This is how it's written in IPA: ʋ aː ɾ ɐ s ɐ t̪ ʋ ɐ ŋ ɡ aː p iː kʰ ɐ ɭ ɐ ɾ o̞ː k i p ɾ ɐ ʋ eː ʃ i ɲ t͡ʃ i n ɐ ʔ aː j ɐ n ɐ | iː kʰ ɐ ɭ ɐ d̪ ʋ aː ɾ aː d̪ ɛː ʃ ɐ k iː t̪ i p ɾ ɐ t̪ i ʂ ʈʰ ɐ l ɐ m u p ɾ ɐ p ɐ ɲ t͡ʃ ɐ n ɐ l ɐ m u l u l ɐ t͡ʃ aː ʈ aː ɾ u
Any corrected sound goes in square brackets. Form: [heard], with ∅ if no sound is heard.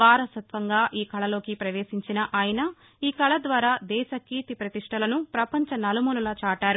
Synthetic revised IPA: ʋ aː ɾ ɐ s ɐ t̪ ʋ ɐ ŋ ɡ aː [ʔ] iː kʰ ɐ ɭ ɐ [l] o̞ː k i p ɾ ɐ ʋ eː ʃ i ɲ t͡ʃ i n ɐ ʔ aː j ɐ n ɐ | iː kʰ ɐ ɭ ɐ d̪ ʋ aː ɾ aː d̪ ɛː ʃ ɐ k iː t̪ i p ɾ ɐ t̪ i ʂ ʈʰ ɐ l ɐ [n] u p ɾ ɐ p ɐ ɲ t͡ʃ ɐ n ɐ l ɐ m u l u l ɐ t͡ʃ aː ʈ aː ɾ u